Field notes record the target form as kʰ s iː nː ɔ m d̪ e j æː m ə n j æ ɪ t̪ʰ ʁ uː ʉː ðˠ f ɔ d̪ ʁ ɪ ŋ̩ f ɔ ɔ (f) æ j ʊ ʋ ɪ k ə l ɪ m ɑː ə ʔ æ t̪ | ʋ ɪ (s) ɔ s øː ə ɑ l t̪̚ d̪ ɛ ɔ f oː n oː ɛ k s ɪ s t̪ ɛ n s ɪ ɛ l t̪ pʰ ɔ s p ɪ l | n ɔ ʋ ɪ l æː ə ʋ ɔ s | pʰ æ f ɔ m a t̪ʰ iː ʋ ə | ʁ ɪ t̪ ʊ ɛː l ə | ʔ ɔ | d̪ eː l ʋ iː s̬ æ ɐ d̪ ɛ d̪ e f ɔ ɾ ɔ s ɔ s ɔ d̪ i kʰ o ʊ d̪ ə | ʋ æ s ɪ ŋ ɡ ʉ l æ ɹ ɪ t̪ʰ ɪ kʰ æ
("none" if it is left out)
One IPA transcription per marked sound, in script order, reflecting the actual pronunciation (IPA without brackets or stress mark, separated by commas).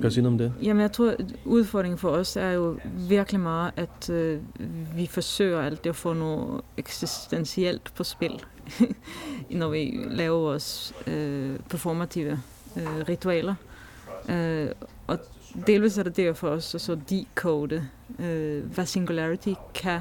s, f